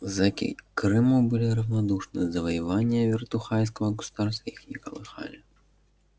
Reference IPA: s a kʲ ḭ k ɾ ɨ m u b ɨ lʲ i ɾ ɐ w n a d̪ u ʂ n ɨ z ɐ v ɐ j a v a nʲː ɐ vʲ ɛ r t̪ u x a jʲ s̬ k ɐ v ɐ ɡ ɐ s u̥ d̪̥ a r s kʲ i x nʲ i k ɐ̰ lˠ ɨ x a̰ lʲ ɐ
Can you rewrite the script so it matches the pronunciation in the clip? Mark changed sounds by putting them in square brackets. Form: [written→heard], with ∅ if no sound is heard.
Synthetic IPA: [s→z] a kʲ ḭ k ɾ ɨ m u b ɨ lʲ i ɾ ɐ w n a d̪ u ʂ n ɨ z ɐ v ɐ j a v a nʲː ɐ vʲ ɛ r t̪ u x a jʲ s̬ k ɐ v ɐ ɡ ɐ s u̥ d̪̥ a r s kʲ i x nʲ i k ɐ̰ lˠ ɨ x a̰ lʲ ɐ